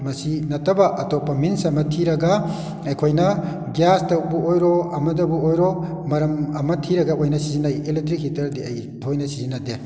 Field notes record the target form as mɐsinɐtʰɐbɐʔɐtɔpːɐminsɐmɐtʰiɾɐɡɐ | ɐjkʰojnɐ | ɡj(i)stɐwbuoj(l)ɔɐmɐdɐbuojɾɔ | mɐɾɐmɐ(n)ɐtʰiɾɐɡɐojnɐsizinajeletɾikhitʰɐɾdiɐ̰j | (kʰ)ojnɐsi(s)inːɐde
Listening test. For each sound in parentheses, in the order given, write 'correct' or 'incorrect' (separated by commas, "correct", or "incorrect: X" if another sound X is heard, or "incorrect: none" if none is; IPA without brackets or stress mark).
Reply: incorrect: a, incorrect: ɾ, incorrect: m, incorrect: tʰ, incorrect: z